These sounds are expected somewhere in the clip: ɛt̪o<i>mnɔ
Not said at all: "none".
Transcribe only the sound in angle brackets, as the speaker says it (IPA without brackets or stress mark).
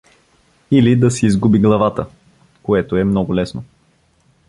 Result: ɛ